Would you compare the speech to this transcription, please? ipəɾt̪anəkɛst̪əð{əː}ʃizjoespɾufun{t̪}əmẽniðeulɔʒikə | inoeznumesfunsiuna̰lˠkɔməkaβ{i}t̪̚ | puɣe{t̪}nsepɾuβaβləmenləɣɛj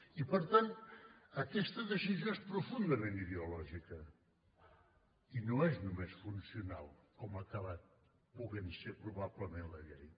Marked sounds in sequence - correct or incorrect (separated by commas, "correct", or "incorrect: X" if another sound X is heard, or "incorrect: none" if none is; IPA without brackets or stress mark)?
incorrect: ə, incorrect: d̪, incorrect: a, incorrect: none